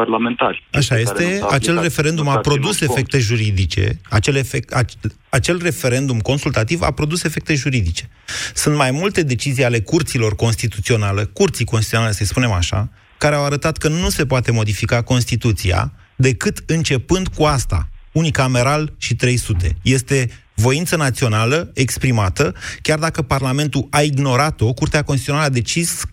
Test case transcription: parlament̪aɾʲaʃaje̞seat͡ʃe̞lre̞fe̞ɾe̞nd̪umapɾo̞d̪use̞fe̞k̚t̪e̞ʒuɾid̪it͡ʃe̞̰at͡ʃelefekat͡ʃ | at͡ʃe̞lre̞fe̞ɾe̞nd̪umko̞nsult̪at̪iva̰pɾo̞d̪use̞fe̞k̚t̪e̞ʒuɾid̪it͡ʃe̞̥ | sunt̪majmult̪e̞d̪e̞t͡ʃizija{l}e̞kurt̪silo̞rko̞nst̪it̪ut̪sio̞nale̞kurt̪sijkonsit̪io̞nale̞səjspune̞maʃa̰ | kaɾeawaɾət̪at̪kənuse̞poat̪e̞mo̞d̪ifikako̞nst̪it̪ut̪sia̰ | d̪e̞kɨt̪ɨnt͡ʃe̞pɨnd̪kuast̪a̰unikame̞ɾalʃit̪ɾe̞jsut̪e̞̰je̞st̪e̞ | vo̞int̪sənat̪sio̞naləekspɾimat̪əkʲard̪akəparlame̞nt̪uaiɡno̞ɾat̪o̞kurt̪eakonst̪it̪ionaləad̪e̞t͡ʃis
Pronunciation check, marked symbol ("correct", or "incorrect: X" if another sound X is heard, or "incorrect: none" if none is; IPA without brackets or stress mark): correct